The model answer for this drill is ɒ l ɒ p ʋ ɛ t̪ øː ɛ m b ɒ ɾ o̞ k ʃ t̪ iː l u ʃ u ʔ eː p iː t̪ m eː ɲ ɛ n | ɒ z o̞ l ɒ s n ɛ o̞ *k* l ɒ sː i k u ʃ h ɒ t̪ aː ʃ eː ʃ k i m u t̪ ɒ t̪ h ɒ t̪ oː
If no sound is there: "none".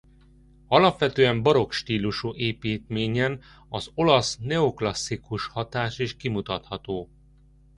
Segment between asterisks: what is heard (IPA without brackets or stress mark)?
k